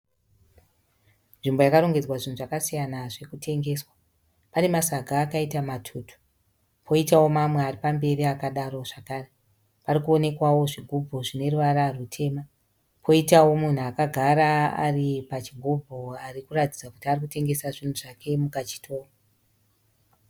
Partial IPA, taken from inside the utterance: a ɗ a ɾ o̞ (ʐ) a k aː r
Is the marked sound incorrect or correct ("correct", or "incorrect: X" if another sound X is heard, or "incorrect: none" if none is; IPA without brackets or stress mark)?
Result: correct